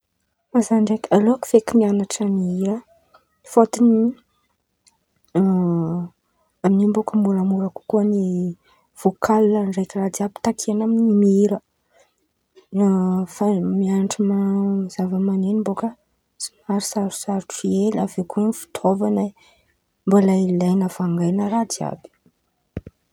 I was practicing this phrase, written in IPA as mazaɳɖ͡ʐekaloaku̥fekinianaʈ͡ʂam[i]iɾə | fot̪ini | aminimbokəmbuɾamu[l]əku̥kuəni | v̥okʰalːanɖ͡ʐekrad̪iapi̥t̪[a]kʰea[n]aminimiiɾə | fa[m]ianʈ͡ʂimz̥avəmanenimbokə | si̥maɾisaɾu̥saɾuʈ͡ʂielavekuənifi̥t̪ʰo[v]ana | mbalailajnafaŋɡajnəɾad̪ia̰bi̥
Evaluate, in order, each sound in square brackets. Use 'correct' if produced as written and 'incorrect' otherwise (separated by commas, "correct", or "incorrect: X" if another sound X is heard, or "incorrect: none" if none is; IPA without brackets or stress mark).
correct, incorrect: ɾ, correct, correct, correct, correct